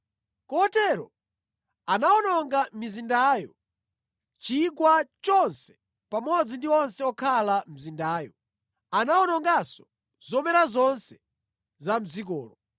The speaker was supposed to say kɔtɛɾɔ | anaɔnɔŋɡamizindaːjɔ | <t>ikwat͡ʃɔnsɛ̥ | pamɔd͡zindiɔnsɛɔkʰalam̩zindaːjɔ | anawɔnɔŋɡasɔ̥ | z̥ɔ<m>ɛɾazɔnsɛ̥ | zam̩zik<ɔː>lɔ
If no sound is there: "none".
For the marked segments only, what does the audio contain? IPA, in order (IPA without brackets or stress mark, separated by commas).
t͡ʃ, m, ɔː